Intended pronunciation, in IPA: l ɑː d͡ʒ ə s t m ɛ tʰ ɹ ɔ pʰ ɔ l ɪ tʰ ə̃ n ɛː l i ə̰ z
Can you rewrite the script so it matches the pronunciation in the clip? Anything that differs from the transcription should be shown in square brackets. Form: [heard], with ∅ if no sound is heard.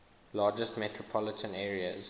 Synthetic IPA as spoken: l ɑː d͡ʒ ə s t m ɛ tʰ ɹ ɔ pʰ ɔ l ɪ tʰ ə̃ n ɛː [ɹ] i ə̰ z